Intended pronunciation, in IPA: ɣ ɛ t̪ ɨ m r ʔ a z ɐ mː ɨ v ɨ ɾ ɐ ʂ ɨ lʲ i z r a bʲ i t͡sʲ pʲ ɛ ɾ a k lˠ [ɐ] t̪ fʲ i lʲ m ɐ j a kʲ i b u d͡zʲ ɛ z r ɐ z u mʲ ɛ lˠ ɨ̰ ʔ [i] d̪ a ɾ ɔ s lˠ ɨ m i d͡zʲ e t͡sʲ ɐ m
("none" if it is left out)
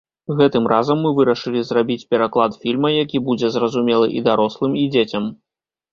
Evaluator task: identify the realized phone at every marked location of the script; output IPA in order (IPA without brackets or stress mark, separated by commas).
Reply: a, i